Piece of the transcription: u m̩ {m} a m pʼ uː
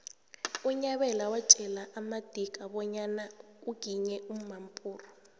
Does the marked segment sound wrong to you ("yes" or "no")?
no